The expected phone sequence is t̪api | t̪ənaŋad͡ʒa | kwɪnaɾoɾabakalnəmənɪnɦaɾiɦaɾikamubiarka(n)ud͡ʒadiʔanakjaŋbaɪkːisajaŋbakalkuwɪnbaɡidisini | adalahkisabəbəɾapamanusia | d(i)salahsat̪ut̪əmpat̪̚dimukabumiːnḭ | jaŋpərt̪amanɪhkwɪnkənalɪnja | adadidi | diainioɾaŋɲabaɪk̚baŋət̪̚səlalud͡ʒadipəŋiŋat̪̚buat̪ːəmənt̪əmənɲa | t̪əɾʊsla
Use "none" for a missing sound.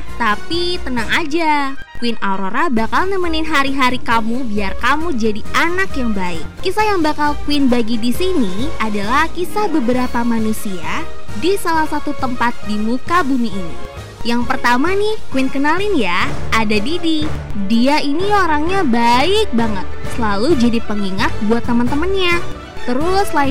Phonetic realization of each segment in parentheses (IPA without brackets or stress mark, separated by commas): m, i